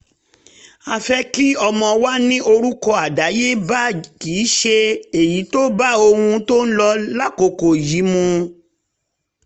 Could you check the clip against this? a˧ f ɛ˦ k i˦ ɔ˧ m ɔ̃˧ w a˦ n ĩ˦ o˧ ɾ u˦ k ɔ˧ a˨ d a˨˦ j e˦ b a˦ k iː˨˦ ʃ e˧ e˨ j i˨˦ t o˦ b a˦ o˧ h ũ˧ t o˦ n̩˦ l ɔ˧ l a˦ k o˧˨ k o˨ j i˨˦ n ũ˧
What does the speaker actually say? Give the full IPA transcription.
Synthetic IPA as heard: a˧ f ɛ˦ k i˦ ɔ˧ m ɔ̃˧ w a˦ n ĩ˦ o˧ ɾ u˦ k ɔ˧ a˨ d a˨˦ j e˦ b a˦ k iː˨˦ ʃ e˧ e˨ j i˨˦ t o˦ b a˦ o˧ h ũ˧ t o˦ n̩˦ l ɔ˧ l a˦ k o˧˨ k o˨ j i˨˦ m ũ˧